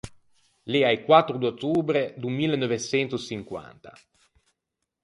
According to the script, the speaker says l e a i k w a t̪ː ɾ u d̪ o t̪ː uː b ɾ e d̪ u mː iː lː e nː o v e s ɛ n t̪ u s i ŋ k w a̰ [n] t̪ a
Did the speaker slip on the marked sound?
no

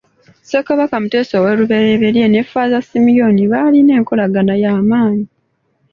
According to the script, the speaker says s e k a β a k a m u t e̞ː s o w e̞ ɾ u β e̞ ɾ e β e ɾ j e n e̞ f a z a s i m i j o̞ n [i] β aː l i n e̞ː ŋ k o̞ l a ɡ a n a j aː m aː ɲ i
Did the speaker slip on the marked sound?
no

